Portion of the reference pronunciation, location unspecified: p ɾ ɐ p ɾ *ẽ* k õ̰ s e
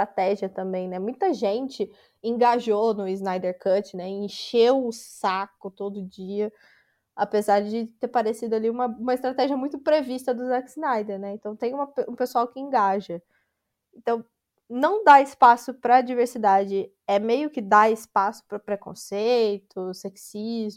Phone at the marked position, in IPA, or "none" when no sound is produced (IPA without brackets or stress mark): e